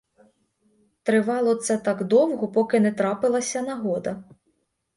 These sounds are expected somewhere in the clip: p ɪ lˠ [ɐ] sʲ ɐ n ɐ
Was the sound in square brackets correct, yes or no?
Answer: yes